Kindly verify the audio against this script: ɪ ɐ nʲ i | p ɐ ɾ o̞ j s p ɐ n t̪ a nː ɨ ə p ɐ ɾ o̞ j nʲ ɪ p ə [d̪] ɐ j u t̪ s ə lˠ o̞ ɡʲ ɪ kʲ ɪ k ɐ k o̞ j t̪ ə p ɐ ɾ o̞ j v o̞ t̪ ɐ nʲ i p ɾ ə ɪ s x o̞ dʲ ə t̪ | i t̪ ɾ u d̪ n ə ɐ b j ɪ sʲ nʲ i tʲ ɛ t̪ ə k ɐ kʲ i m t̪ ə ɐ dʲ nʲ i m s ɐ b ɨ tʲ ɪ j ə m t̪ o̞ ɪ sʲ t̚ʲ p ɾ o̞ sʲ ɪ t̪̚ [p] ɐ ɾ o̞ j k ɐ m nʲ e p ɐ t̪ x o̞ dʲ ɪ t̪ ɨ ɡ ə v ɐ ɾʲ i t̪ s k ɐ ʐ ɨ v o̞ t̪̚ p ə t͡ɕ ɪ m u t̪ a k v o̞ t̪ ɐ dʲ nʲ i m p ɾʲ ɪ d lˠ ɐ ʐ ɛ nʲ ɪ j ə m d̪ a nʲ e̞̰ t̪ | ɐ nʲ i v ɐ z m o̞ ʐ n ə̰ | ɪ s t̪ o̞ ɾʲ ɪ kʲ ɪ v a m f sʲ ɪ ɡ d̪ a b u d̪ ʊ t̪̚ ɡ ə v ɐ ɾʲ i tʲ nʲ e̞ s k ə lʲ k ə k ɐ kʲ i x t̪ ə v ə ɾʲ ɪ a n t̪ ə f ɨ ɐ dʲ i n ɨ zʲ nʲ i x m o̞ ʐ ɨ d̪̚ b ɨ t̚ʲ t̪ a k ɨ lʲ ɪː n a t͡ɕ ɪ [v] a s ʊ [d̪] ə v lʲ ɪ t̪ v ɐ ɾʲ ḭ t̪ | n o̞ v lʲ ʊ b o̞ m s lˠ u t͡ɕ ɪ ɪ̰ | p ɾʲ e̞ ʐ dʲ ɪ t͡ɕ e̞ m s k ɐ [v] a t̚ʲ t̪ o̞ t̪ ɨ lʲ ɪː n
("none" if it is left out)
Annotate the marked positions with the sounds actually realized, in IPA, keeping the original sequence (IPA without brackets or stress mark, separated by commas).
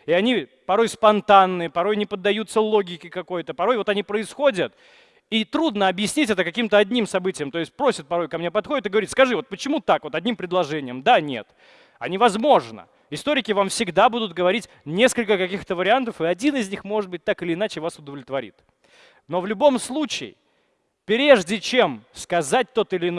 d̪ː, p, v, d̪, z